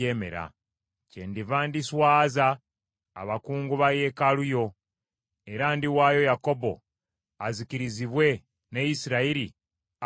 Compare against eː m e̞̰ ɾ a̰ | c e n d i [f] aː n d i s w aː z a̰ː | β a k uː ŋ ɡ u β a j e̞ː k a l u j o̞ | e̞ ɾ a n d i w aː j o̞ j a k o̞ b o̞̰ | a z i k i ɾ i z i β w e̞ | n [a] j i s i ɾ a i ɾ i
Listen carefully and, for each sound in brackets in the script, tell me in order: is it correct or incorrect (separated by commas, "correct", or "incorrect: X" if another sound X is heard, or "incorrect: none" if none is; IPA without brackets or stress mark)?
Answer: incorrect: v, incorrect: e